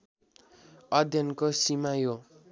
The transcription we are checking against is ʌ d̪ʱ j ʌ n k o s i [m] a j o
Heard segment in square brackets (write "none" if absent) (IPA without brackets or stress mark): m